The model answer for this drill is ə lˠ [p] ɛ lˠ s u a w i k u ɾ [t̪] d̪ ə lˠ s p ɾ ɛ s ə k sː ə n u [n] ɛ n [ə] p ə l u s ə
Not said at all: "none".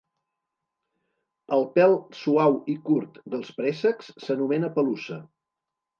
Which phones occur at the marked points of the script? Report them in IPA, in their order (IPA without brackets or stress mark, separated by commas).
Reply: p, t̪, m, ə